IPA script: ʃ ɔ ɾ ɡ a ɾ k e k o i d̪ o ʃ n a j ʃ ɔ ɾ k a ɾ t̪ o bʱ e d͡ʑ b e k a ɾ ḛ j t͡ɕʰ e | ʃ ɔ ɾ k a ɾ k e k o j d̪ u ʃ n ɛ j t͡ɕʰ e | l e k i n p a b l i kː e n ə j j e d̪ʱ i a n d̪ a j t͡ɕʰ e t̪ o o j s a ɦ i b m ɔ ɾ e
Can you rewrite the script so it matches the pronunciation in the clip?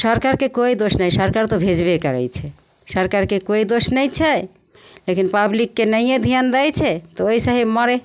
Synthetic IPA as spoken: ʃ ɔ ɾ k a ɾ k e k o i d̪ o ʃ n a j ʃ ɔ ɾ k a ɾ t̪ o bʱ e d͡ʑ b e k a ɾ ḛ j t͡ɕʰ e | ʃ ɔ ɾ k a ɾ k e k o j d̪ o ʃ n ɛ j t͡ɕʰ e | l e k i n p a b l i kː e n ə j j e d̪ʱ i a n d̪ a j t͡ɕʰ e t̪ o o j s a ɦ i b m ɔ ɾ e